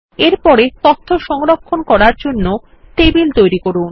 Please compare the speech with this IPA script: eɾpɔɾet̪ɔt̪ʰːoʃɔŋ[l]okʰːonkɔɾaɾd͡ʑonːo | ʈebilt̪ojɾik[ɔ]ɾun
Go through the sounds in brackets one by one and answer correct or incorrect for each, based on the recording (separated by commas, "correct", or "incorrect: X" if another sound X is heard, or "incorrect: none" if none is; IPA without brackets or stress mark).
incorrect: ɾ, incorrect: o